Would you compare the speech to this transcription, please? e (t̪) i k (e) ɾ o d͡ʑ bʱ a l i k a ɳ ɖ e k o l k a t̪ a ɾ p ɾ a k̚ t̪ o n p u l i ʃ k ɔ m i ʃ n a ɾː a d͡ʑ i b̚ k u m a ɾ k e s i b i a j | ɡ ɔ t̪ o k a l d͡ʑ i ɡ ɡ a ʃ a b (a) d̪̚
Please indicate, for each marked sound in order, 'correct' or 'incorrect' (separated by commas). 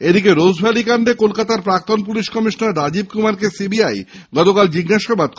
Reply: incorrect, correct, correct